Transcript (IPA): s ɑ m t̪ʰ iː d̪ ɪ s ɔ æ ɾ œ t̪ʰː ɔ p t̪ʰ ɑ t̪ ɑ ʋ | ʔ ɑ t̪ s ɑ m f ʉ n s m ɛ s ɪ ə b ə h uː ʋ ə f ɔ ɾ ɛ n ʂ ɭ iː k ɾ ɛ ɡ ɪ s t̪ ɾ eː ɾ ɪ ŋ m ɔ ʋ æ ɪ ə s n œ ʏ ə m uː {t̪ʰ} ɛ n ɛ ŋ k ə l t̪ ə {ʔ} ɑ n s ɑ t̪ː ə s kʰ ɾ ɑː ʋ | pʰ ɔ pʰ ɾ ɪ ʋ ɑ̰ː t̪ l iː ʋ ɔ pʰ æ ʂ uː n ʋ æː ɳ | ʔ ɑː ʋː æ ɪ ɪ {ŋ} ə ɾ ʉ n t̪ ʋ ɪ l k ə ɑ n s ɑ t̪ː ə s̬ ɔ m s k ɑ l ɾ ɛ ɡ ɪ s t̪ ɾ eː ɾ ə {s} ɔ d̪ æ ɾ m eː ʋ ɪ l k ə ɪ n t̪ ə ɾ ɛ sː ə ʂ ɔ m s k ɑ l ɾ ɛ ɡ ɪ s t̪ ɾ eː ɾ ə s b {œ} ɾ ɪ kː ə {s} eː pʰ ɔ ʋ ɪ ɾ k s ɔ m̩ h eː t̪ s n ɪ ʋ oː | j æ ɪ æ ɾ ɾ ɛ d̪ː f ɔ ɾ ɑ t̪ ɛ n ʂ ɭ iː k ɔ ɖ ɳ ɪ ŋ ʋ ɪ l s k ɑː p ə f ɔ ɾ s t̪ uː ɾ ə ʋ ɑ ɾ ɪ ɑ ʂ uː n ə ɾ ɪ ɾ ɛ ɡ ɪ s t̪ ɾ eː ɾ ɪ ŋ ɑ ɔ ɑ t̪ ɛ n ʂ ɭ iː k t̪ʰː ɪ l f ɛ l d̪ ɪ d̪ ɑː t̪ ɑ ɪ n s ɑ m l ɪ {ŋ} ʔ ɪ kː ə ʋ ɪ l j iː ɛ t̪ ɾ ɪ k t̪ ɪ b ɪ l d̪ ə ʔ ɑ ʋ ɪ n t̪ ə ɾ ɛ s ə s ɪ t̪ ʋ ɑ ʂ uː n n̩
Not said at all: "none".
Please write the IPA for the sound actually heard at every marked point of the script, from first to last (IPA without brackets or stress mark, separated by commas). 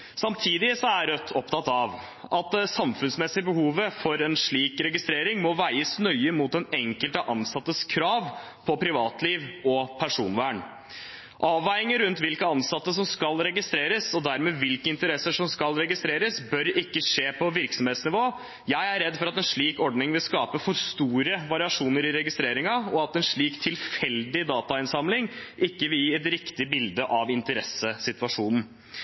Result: t̪, ʔ, ŋ, s, œ, ʂ, ŋ